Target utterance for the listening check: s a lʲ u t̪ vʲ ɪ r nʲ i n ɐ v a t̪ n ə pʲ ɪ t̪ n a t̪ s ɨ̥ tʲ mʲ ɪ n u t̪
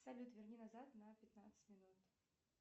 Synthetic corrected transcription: s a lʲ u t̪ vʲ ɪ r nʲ i n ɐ z a t̪ n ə pʲ ɪ t̪ n a t̪ s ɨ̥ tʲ mʲ ɪ n u t̪